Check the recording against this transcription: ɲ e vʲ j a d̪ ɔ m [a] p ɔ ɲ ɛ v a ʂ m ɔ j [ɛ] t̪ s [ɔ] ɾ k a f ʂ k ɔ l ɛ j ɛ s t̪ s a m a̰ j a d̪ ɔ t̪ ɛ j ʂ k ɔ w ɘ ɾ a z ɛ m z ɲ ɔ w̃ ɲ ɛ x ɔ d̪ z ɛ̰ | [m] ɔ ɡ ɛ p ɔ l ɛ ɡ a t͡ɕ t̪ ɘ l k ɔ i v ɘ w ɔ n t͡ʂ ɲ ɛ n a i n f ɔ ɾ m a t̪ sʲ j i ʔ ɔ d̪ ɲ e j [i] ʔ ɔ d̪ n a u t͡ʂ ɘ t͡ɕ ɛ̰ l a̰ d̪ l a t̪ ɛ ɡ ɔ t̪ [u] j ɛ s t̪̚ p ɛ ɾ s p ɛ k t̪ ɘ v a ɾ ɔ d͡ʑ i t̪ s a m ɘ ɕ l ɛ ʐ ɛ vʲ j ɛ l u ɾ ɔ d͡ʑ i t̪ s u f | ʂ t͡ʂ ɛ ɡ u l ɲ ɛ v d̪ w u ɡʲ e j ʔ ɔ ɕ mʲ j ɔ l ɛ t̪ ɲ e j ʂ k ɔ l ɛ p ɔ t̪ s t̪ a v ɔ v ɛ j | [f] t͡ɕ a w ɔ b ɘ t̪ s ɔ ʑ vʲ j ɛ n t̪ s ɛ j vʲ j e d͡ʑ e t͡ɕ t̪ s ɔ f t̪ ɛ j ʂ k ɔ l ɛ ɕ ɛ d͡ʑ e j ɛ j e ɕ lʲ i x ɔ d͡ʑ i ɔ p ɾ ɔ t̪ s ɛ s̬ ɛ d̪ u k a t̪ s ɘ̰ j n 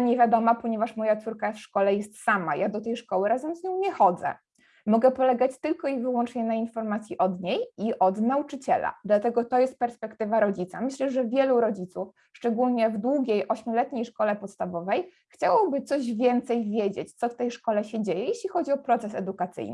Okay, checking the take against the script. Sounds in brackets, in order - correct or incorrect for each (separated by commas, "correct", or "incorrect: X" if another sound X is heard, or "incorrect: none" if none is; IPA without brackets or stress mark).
correct, incorrect: a, incorrect: u, correct, correct, incorrect: ɔ, incorrect: x